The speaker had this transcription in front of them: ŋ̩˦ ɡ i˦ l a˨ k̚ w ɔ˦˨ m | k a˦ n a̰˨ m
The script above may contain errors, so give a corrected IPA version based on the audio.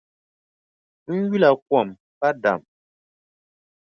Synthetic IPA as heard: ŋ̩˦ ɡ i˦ l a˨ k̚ w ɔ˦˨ m | p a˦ d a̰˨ m